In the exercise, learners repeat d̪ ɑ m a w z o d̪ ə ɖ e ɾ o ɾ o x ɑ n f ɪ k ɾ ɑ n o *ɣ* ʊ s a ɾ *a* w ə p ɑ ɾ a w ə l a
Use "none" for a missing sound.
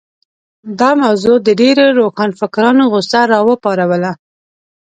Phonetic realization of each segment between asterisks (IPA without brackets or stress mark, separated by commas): ɣ, ɑ